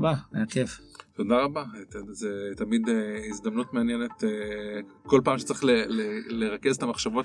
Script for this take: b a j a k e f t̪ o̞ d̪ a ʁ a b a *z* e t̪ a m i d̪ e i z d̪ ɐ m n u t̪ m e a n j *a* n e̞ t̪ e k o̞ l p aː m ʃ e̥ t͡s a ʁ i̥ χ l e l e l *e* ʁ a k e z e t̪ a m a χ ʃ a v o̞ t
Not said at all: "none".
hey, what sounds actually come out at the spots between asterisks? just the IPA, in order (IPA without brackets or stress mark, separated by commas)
z, e, e